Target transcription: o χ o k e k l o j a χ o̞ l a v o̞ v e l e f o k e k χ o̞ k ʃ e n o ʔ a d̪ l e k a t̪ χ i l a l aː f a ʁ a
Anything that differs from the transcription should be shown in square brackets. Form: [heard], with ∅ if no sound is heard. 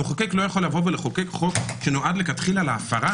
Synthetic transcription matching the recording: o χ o k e k l o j a χ o̞ l a v o̞ v e l e [χ] o k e k χ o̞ k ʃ e n o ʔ a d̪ l e k a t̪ χ i l a l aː f a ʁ a